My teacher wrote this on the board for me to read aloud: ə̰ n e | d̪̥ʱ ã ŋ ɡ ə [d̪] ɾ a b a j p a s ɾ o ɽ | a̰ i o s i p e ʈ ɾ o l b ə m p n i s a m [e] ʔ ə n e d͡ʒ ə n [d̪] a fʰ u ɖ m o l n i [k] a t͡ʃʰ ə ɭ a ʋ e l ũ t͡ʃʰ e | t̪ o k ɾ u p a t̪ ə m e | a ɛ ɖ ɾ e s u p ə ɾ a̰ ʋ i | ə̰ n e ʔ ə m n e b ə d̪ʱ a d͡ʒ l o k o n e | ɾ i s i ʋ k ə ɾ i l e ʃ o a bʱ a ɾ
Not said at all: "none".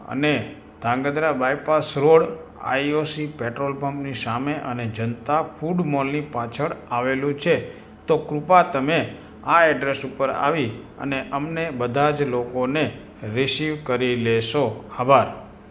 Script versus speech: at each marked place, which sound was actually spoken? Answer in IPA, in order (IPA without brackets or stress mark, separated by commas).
d̪, e, t̪, p